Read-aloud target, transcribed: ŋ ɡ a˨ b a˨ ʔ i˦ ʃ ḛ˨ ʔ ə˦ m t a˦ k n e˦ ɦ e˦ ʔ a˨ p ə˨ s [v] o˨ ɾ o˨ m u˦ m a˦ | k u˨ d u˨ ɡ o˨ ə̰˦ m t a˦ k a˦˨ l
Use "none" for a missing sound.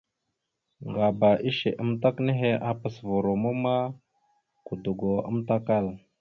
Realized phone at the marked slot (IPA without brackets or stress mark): v